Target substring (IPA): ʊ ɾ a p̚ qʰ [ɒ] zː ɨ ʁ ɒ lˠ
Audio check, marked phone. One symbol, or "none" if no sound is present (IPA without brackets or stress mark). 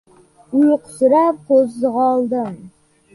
o